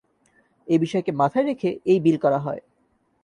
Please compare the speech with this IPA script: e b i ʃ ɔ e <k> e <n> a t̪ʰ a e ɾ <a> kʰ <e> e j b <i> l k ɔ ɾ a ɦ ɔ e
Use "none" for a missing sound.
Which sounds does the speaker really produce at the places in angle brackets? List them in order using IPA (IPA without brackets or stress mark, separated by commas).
k, m, e, e, i